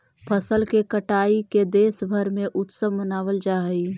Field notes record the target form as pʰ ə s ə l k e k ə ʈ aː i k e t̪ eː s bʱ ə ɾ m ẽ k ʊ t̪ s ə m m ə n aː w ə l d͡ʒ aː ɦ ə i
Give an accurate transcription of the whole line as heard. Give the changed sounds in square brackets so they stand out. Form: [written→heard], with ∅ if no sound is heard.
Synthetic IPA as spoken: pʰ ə s ə l k e k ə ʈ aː i k e [t̪→d̪] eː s bʱ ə ɾ m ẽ [k→ʔ] ʊ t̪ s ə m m ə n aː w ə l d͡ʒ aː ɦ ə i